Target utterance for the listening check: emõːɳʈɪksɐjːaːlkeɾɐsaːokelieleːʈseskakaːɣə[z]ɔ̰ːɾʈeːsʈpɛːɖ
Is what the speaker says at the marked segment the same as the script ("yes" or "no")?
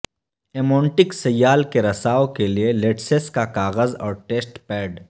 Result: yes